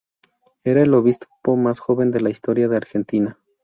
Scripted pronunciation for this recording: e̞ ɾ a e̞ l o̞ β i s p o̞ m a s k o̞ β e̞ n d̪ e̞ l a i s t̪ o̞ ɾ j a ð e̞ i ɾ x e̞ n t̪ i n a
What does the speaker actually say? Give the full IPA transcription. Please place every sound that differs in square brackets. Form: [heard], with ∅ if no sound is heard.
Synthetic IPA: e̞ ɾ a e̞ l o̞ β i s p o̞ m a s [x] o̞ β e̞ n d̪ e̞ l a i s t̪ o̞ ɾ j a ð e̞ [a] ɾ x e̞ n t̪ i n a

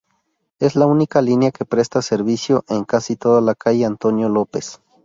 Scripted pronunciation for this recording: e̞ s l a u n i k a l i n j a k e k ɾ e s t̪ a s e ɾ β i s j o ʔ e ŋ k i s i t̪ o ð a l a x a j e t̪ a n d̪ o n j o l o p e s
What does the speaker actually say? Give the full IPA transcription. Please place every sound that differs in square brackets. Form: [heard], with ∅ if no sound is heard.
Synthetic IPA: e̞ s l a u n i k a l i n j a k e [p] ɾ e s t̪ a s e ɾ β i s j o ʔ e ŋ k [a] s i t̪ o ð a l a [k] a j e [∅] a n [t̪] o n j o l o p e s

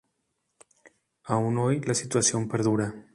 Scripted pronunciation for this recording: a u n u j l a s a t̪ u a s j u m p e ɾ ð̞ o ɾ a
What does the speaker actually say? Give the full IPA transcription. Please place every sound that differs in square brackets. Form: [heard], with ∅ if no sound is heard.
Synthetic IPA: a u n [o] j l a s [i] t̪ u a s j [o] m p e ɾ ð̞ [u] ɾ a

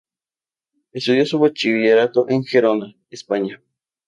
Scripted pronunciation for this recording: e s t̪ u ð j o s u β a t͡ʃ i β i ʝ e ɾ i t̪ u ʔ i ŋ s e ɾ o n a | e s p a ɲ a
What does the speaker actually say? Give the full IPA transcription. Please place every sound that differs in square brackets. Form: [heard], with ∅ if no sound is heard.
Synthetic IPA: e s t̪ u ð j o s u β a t͡ʃ i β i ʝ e ɾ [a] t̪ [o] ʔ [e] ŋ [x] e ɾ o n a | e s p a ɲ a

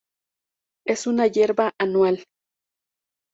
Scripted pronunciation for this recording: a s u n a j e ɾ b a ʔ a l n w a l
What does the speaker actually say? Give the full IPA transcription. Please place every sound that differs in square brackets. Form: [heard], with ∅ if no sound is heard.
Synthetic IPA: [e] s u n a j e ɾ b a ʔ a [∅] n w a l

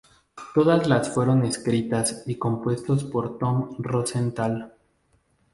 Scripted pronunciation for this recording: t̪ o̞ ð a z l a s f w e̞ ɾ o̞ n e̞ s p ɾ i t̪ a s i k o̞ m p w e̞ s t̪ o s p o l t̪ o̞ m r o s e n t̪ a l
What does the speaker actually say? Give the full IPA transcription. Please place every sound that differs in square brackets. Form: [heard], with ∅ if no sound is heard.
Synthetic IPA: t̪ o̞ ð a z l a s f w e̞ ɾ o̞ n e̞ s [k] ɾ i t̪ a s i k o̞ m p w e̞ s t̪ o s p o [ɾ] t̪ o̞ m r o s e n t̪ a l

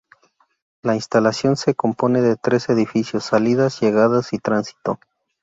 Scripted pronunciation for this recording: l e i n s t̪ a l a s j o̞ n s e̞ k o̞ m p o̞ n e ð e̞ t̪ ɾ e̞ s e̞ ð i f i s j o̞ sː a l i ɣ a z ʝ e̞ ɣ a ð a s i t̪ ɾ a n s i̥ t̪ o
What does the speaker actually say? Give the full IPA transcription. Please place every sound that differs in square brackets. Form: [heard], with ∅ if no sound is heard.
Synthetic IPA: l [a] i n s t̪ a l a s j o̞ n s e̞ k o̞ m p o̞ n e ð e̞ t̪ ɾ e̞ s e̞ ð i f i s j o̞ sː a l i [ð] a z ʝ e̞ ɣ a ð a s i t̪ ɾ a n s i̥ t̪ o

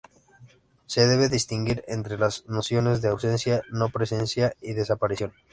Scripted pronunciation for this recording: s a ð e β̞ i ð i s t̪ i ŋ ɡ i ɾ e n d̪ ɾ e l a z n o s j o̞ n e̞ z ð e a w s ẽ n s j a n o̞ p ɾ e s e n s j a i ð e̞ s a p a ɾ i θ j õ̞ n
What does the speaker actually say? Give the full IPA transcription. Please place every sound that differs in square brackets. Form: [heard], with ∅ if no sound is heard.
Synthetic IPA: s [e] ð e β̞ [e] ð i s t̪ i ŋ ɡ i ɾ e n [t̪] ɾ e l a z n o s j o̞ n e̞ z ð e a w s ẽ n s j a n o̞ p ɾ e s e n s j a i ð e̞ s a p a ɾ i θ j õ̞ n

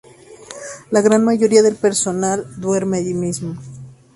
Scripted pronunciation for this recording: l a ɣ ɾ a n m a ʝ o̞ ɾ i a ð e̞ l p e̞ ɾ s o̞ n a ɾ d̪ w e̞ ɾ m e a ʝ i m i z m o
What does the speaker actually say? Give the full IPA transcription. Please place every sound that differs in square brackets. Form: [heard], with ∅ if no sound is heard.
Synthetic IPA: l a ɣ ɾ a n m a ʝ o̞ ɾ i a ð e̞ l p e̞ ɾ s o̞ n a [l] d̪ w e̞ ɾ m e a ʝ i m i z m o

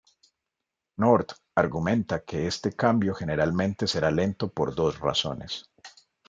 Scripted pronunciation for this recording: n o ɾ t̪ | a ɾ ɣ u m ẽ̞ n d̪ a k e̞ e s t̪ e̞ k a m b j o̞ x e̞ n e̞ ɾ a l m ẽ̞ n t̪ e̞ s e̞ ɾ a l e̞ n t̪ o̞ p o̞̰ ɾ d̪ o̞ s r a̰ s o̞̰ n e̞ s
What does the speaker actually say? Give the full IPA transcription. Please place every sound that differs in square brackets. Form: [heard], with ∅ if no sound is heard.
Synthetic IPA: n o ɾ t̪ | a ɾ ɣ u m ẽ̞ n [t̪] a k e̞ e s t̪ e̞ k a m b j o̞ x e̞ n e̞ ɾ a l m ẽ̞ n t̪ e̞ s e̞ ɾ a l e̞ n t̪ o̞ p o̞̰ ɾ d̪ o̞ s r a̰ s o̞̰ n e̞ s

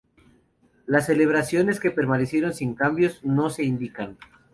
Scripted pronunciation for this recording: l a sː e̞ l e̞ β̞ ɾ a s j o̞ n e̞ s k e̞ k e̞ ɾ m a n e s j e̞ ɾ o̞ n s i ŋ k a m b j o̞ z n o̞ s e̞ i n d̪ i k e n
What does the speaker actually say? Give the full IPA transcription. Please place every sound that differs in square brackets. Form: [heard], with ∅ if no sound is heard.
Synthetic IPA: l a sː e̞ l e̞ β̞ ɾ a s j o̞ n e̞ s k e̞ [p] e̞ ɾ m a n e s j e̞ ɾ o̞ n s i ŋ k a m b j o̞ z n o̞ s e̞ i n d̪ i k [a] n

